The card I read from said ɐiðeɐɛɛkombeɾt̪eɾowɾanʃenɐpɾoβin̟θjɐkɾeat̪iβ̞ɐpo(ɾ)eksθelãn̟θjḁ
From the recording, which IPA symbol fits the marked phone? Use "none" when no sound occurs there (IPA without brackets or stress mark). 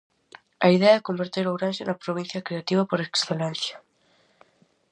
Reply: ɾ